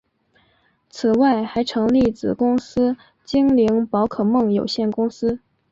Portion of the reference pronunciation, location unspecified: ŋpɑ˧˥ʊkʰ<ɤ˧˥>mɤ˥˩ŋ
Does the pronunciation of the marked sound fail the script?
yes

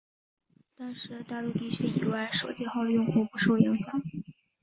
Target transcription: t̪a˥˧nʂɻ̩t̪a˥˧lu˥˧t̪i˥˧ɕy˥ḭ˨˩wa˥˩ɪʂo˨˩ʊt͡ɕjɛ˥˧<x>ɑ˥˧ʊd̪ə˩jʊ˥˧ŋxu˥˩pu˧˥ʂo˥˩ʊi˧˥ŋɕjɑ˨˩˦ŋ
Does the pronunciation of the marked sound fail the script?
no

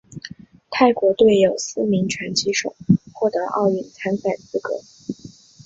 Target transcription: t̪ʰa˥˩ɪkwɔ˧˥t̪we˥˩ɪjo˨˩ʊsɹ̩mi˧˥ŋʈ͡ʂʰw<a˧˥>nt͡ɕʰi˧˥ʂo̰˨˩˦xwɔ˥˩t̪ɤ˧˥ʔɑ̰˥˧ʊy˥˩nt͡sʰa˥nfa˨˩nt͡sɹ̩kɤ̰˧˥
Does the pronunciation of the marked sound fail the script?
no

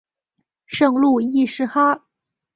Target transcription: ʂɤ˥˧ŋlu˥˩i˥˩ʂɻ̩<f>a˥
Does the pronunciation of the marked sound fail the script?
yes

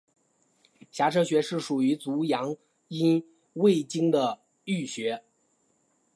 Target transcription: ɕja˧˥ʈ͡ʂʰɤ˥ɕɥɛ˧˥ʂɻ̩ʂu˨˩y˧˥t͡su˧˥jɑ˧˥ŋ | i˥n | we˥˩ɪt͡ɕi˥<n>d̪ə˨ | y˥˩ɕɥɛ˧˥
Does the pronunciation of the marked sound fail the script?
yes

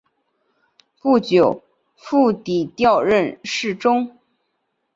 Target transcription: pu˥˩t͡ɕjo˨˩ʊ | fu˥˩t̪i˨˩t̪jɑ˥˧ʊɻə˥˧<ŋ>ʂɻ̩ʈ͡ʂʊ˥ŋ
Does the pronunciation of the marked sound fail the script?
yes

